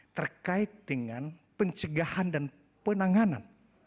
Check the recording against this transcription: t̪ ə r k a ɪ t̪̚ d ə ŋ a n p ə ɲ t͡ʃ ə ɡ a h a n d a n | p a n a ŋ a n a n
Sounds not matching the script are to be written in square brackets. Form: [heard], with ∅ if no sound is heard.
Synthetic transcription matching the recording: t̪ ə r k a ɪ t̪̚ d ə ŋ a n p ə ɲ t͡ʃ ə ɡ a h a n d a n | p [ə] n a ŋ a n a n